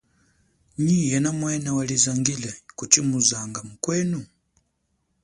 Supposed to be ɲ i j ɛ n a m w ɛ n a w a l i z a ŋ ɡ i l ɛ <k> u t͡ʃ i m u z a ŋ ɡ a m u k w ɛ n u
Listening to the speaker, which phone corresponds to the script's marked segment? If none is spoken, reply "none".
k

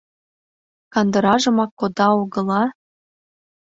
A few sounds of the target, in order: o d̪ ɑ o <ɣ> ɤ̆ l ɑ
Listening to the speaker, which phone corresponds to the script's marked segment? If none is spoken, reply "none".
ɣ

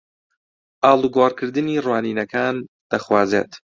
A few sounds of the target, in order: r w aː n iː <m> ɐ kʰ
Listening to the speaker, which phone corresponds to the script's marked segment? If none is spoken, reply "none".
n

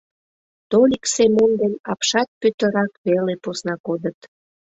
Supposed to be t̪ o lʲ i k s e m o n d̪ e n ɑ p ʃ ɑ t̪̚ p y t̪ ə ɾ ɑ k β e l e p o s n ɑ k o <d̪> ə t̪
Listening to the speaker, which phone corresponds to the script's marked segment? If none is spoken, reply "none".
d̪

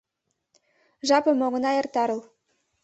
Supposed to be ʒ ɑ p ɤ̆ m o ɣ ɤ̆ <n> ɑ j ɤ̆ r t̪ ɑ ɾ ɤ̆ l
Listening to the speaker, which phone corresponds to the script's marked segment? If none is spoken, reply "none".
n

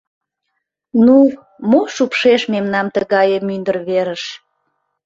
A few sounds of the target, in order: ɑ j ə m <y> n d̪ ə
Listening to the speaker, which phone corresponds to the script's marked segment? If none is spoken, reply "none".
y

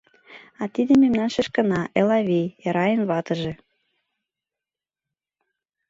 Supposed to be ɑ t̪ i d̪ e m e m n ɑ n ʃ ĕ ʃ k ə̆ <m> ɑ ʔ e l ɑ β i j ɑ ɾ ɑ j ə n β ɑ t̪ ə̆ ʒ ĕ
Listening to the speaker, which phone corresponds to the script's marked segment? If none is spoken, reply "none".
n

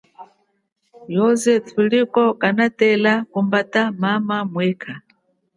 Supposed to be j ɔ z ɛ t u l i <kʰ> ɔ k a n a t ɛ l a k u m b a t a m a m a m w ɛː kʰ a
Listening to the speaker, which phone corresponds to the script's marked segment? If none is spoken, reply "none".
k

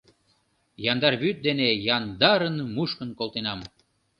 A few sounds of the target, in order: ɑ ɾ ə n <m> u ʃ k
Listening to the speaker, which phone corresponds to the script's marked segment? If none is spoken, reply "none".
m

